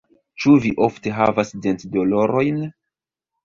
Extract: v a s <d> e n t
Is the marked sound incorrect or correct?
correct